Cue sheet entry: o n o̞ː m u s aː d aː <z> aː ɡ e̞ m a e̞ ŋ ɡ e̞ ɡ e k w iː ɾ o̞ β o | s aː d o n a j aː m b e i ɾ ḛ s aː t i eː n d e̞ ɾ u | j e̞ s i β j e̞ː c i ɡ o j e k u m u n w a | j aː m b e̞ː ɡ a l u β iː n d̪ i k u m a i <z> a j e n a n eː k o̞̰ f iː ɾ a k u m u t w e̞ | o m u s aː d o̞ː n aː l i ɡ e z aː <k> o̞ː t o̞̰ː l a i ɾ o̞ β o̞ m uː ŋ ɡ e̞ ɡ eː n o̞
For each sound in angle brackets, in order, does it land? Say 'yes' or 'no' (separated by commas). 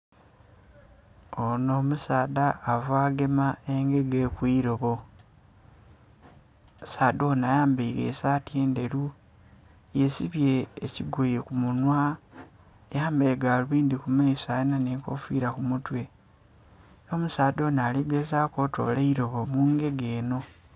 no, no, yes